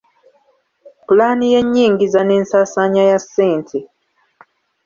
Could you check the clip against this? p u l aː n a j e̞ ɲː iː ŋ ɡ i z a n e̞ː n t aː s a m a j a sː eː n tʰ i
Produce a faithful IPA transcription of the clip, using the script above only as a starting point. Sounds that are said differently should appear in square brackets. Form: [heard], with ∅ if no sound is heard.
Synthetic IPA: p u l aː n [i] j e̞ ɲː iː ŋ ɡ i z a n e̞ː n [s] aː s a [ɲ] a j a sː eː n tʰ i